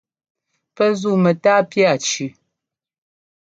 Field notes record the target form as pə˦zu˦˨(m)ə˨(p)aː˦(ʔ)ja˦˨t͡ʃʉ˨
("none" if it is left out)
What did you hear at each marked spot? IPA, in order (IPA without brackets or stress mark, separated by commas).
m, t, p